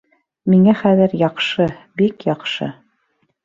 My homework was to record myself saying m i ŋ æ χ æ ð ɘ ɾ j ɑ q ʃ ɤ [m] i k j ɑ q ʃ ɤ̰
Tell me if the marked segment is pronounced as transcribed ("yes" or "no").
no